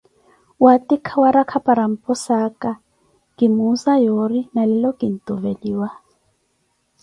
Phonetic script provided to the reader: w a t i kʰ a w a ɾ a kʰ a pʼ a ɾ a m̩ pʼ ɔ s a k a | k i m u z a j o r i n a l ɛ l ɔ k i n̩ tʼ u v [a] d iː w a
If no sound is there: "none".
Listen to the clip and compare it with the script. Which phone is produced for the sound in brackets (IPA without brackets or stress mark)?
e